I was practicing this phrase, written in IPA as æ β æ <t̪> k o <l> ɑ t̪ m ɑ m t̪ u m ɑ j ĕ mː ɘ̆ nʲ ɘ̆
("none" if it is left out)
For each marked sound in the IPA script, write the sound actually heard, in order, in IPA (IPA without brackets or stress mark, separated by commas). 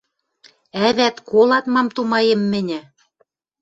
t̪, l